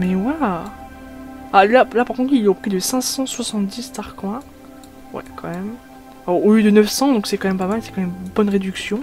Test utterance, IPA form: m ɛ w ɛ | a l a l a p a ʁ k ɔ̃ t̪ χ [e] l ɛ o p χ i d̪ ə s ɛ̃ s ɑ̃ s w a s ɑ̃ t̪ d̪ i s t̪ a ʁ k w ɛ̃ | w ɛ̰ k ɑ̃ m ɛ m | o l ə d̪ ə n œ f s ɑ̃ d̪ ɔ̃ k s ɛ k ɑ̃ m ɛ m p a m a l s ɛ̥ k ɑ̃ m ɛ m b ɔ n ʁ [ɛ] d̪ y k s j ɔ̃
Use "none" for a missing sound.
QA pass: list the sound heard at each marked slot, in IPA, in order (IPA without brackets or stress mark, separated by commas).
i, e